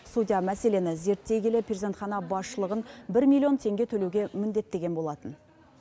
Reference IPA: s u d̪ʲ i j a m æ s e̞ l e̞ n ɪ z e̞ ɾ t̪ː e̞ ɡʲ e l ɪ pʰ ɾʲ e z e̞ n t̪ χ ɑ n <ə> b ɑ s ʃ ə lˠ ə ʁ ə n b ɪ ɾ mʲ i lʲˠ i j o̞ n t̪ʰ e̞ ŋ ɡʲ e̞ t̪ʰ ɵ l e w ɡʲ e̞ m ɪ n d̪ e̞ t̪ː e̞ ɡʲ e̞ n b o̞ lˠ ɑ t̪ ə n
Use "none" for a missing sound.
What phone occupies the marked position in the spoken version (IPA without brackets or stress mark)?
ɑ